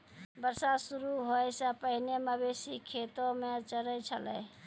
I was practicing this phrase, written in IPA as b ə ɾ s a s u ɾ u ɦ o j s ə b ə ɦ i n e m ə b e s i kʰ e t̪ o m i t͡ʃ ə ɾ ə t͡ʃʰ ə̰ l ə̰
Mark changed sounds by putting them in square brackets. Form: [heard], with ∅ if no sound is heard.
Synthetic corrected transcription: b ə ɾ s a s u ɾ u ɦ o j s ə [p] ə ɦ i n e m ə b e s i kʰ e t̪ o m [e] t͡ʃ ə ɾ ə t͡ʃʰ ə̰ l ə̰